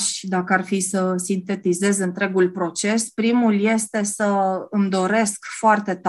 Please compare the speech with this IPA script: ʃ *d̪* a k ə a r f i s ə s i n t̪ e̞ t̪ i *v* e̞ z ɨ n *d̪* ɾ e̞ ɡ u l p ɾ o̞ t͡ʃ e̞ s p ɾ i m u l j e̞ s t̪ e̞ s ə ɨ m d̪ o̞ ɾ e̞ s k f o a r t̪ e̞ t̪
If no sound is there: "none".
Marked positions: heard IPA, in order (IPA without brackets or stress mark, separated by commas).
d̪, z, t̪